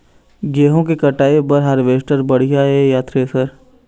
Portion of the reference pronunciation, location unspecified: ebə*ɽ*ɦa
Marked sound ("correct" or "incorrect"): incorrect